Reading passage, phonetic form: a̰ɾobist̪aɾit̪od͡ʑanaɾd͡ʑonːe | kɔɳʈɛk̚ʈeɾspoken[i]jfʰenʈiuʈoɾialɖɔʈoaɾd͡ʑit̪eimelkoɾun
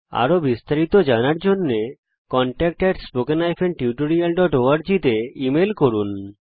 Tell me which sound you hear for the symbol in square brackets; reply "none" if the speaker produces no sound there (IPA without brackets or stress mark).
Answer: a